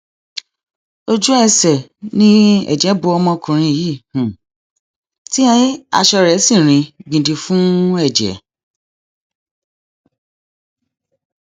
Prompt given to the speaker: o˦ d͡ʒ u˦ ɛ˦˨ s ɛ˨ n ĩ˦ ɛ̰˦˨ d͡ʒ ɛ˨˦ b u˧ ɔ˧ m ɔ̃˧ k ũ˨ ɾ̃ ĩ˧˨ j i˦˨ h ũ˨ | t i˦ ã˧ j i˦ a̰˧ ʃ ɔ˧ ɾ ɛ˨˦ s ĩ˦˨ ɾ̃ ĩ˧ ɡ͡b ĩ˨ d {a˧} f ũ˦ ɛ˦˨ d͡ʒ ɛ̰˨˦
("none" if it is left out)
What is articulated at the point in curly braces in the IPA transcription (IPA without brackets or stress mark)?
i˧